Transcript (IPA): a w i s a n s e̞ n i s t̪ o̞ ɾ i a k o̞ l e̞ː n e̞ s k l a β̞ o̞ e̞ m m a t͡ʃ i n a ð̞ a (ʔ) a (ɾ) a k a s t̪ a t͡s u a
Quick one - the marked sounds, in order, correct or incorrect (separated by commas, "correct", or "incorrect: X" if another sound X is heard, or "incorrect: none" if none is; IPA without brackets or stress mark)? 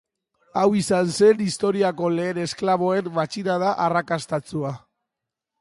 correct, incorrect: r